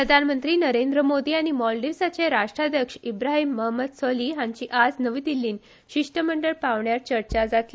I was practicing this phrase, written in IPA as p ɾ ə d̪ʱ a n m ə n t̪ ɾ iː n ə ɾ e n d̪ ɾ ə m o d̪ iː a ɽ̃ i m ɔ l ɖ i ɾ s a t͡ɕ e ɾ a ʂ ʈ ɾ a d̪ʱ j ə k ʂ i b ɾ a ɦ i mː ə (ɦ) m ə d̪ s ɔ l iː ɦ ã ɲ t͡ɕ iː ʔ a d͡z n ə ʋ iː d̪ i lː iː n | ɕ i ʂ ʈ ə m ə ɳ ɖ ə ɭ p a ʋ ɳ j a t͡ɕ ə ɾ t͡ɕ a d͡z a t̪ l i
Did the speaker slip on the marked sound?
no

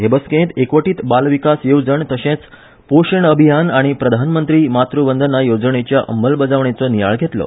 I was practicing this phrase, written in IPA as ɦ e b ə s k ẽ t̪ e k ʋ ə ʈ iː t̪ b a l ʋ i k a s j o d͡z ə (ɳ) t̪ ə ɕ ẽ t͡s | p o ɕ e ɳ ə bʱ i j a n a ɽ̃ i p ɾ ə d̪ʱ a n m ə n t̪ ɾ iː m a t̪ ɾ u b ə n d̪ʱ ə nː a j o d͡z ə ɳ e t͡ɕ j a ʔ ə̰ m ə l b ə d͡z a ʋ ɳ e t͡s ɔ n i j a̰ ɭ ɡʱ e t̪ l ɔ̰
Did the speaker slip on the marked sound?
no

